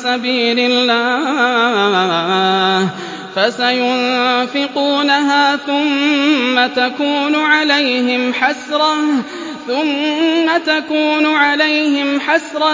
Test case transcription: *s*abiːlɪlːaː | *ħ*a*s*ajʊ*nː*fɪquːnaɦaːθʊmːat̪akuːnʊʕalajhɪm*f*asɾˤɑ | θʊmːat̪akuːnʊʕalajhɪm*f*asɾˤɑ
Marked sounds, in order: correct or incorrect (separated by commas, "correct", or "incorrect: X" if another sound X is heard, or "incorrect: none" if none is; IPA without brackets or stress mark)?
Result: correct, incorrect: f, correct, incorrect: n, incorrect: ħ, incorrect: ħ